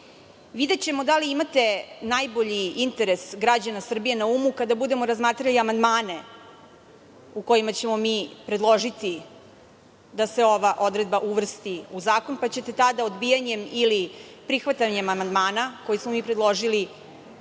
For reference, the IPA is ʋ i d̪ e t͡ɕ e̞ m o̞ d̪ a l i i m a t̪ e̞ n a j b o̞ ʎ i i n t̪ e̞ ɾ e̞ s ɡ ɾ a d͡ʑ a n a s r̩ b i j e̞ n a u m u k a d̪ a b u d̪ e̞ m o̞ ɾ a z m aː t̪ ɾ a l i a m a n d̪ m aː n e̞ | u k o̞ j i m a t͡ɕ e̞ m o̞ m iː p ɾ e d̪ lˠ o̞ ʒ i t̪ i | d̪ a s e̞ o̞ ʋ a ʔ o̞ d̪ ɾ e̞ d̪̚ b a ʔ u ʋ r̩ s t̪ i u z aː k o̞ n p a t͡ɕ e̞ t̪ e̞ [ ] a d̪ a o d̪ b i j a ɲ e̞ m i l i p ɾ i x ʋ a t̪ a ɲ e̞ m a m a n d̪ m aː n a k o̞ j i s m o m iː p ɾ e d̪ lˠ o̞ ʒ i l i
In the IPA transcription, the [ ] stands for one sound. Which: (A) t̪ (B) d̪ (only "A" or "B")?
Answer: A